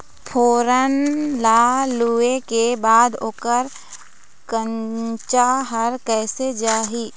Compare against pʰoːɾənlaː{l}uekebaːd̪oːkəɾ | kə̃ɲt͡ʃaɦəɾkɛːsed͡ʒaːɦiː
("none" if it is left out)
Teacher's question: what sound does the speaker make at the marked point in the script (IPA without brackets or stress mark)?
l